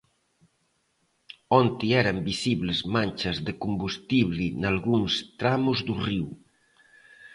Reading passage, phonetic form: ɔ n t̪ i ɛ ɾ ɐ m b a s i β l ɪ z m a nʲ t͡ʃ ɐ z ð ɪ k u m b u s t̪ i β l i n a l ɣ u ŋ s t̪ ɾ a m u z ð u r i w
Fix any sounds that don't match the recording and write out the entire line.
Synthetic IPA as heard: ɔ n t̪ i ɛ ɾ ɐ m b i s i β l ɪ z m a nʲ t͡ʃ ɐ z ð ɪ k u m b u s t̪ i β l i n a l ɣ u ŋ s t̪ ɾ a m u z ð u r i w